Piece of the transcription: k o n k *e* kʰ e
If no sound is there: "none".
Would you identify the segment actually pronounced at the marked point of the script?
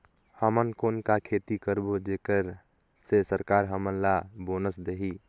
a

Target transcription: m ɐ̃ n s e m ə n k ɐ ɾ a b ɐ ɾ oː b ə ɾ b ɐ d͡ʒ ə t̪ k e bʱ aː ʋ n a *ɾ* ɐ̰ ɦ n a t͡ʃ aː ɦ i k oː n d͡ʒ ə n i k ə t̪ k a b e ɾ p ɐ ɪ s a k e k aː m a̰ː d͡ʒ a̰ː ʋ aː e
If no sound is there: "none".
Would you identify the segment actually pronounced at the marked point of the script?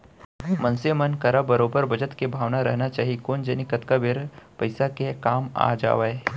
ɾ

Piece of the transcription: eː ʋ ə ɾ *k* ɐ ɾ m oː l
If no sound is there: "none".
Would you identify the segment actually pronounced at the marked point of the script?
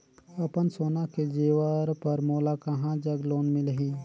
p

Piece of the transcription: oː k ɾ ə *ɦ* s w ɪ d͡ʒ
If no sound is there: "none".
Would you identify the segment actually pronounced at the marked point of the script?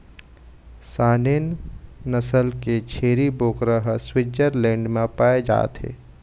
ɦ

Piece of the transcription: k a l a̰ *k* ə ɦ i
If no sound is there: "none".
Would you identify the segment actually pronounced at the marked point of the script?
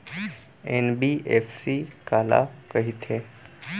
k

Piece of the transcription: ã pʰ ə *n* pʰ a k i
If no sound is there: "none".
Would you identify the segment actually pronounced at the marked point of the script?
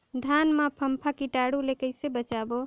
m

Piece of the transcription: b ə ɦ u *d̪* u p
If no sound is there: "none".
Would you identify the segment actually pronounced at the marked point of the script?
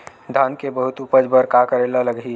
t̪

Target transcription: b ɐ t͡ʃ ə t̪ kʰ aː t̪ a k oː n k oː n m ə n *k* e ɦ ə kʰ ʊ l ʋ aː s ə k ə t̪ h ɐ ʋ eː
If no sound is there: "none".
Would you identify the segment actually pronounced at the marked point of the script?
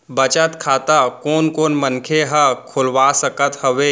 kʰ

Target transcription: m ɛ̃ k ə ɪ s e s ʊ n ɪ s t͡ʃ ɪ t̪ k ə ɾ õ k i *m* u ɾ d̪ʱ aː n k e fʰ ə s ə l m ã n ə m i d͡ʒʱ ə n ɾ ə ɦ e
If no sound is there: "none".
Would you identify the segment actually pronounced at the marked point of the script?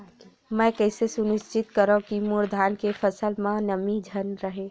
m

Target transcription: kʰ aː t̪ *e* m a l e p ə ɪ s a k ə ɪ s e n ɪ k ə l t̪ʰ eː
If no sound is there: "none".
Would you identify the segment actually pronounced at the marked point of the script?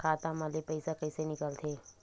a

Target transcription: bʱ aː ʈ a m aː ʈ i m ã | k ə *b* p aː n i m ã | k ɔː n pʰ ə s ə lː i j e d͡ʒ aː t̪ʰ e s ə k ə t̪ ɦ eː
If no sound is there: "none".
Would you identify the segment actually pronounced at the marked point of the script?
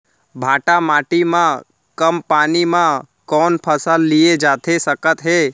m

